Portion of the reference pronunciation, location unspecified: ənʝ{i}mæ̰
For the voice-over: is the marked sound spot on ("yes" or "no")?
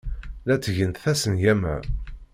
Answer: no